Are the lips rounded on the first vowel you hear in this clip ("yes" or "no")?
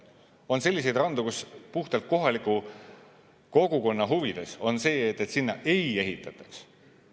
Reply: yes